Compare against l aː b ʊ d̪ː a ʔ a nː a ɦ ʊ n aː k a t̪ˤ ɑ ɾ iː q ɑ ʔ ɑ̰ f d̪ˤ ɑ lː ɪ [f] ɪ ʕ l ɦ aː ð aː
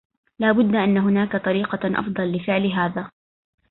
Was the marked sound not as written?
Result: no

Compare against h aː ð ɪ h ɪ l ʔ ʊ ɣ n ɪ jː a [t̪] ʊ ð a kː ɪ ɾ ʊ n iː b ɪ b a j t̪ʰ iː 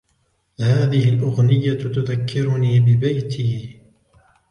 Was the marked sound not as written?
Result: no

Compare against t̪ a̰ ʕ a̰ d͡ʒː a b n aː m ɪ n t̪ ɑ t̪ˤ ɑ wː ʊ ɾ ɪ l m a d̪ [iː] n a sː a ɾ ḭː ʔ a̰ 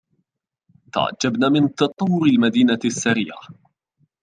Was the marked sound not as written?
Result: no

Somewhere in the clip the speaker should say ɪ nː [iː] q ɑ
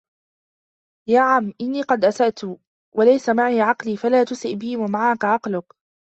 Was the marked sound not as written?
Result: no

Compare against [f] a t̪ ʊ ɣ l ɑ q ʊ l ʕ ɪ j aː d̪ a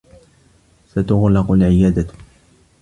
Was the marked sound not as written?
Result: yes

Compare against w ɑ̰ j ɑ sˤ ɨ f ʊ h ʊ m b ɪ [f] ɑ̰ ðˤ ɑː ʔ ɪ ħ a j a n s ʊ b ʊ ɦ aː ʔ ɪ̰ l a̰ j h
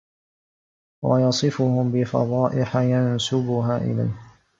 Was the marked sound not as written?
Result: no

